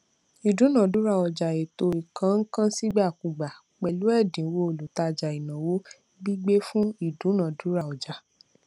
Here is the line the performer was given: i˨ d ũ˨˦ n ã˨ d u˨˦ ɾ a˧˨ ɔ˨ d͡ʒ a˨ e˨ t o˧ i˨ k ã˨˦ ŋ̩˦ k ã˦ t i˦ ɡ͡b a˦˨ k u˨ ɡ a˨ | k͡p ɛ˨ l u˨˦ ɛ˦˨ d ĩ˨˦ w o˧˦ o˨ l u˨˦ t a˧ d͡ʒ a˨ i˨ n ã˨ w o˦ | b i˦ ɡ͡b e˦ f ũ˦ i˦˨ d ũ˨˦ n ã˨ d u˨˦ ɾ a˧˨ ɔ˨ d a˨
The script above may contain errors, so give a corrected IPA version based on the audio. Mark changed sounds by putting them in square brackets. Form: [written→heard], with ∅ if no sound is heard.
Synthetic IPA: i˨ d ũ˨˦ n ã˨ d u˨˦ ɾ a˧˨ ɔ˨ d͡ʒ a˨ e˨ t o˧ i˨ k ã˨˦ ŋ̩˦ k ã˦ [t→s] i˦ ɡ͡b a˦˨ k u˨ [ɡ→ɡ͡b] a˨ | k͡p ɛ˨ l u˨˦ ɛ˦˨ d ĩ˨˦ w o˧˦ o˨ l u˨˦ t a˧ d͡ʒ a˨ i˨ n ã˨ w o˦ | b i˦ ɡ͡b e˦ f ũ˦ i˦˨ d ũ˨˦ n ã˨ d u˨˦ ɾ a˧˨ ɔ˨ [d→d͡ʒ] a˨

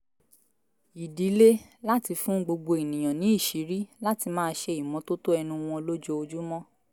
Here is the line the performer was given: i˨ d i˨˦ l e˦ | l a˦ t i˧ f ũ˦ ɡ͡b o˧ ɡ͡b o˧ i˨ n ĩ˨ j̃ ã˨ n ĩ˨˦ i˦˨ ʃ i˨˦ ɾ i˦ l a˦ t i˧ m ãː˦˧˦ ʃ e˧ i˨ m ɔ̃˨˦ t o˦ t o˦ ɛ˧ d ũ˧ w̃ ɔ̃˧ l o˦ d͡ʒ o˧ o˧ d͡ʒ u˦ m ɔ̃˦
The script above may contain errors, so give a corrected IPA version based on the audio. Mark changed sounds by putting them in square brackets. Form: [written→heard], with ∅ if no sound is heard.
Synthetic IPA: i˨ d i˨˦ l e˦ | l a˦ t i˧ f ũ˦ ɡ͡b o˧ ɡ͡b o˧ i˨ n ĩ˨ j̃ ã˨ n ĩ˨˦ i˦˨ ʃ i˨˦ ɾ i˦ l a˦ t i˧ m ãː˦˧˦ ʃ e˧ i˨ m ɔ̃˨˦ t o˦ t o˦ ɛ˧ [d→n] ũ˧ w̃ ɔ̃˧ l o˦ d͡ʒ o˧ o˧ d͡ʒ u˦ m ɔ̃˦

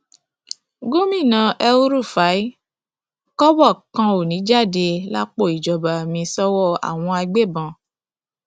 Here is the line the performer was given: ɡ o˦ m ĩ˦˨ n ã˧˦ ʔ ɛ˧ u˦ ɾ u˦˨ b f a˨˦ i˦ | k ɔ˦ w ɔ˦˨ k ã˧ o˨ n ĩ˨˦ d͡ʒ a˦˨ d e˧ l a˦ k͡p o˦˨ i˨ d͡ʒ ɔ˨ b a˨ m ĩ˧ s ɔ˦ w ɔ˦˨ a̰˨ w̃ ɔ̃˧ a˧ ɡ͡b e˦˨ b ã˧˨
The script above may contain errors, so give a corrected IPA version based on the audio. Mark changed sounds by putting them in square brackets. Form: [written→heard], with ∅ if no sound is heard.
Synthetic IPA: ɡ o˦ m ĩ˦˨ n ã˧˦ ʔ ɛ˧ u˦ ɾ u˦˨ [b→∅] f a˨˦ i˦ | k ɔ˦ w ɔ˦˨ k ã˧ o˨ n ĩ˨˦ d͡ʒ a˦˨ d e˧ l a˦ k͡p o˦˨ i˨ d͡ʒ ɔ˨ b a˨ m ĩ˧ s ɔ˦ w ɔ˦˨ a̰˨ w̃ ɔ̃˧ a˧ ɡ͡b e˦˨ b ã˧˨

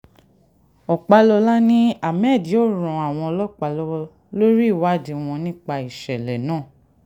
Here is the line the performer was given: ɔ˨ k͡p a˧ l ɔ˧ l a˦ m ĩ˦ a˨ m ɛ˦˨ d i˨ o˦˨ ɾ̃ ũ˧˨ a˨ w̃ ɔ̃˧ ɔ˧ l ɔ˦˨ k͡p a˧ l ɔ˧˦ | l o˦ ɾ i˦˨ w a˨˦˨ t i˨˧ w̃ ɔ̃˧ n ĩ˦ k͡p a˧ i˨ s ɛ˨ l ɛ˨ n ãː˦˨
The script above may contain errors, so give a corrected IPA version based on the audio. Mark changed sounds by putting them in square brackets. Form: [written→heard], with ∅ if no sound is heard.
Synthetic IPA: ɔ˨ k͡p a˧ l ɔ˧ l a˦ [m→n] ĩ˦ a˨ m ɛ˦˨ d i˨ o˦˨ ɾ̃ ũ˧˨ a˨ w̃ ɔ̃˧ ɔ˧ l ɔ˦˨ k͡p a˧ l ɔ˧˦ | l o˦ ɾ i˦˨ w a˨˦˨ [t→d] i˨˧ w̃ ɔ̃˧ n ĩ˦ k͡p a˧ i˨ [s→ʃ] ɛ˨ l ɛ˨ n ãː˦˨

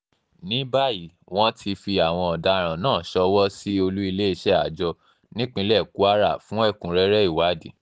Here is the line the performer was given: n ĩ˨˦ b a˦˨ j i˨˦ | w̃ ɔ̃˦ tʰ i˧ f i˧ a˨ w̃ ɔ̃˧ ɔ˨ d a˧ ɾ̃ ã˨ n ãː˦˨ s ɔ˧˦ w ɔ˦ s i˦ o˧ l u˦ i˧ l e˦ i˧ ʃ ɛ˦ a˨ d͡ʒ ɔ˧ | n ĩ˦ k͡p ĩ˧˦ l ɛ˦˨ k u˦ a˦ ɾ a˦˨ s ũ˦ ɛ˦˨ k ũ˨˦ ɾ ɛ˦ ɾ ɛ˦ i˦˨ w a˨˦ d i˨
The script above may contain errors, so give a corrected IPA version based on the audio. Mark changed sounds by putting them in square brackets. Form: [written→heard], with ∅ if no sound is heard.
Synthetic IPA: n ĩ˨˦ b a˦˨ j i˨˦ | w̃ ɔ̃˦ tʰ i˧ f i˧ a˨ w̃ ɔ̃˧ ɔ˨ d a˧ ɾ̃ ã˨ n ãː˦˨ [s→ʃ] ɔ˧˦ w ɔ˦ s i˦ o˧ l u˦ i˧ l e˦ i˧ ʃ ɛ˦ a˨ d͡ʒ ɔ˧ | n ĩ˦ k͡p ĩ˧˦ l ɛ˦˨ k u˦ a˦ ɾ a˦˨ [s→f] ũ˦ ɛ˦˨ k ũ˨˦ ɾ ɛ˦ ɾ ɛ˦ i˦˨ w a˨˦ d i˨

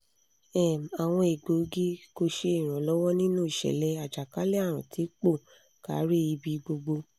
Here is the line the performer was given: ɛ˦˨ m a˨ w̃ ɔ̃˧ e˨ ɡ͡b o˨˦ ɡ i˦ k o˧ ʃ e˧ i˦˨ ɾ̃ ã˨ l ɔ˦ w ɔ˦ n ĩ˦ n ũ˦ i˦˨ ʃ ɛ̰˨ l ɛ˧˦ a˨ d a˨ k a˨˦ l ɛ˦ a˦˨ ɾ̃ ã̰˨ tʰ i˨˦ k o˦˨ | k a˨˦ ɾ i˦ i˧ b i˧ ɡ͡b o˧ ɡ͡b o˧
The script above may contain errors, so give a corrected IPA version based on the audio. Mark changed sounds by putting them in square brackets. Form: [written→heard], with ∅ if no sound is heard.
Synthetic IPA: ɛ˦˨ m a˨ w̃ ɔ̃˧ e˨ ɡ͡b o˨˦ ɡ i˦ k o˧ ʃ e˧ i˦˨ ɾ̃ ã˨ l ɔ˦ w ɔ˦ n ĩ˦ n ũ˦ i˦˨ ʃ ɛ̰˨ l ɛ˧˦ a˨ [d→d͡ʒ] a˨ k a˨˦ l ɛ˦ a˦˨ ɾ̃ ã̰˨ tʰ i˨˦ [k→k͡p] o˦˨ | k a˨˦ ɾ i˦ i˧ b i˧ ɡ͡b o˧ ɡ͡b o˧

